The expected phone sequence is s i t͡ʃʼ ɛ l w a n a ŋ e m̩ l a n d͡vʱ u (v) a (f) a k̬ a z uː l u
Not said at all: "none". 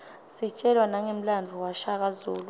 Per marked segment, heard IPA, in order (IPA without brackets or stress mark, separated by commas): w, ʃ